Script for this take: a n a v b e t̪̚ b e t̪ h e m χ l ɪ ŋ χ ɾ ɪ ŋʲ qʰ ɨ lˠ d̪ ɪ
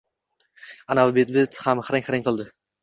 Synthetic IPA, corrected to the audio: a n a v b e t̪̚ b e t̪ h a m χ ɾ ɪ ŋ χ ɾ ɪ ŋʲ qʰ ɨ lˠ d̪ ɪ